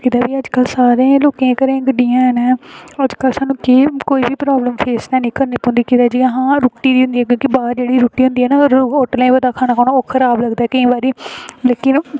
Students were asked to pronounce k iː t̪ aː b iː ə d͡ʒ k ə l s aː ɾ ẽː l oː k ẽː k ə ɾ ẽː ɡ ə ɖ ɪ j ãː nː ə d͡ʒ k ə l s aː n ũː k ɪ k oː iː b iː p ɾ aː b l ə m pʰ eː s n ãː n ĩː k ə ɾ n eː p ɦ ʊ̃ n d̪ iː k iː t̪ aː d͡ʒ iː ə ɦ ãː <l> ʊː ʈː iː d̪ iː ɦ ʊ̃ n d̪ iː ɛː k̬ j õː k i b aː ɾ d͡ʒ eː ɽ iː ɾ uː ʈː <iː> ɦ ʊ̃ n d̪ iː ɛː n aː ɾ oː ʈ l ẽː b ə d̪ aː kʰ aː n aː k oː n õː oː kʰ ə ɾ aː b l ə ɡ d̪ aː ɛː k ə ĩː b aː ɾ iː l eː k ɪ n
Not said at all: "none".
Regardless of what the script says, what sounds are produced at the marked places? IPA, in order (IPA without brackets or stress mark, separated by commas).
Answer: ɾ, iː